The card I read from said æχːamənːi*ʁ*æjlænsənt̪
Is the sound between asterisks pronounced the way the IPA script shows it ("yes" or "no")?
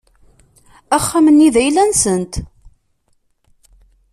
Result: no